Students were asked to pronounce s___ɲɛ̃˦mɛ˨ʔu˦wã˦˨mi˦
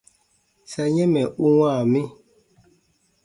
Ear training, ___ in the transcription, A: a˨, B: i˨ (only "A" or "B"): A